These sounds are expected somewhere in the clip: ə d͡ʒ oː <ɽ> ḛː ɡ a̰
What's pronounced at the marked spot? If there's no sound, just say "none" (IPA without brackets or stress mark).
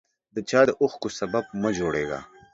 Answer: ɽ